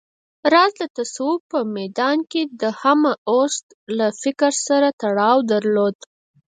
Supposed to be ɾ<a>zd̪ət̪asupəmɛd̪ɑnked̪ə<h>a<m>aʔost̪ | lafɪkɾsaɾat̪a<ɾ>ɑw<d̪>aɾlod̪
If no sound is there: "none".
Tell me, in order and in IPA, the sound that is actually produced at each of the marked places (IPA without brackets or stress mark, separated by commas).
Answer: ɑ, h, m, ɽ, d̪